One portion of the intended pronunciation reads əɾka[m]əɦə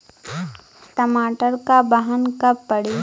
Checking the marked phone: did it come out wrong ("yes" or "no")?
yes